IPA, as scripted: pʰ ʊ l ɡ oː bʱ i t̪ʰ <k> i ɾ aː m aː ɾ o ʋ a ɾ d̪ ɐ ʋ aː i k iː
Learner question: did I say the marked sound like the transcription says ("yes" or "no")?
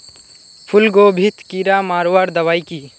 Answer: yes